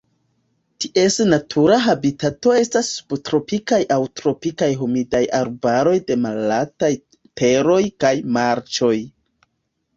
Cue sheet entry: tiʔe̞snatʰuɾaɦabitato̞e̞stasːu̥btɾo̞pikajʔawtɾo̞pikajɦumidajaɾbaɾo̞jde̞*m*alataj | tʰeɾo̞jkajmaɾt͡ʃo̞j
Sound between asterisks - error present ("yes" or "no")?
no